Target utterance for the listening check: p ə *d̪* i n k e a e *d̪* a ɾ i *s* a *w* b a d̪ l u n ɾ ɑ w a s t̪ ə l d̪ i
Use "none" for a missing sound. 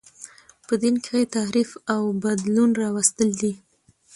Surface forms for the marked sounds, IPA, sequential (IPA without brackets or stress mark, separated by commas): d̪, t̪, f, w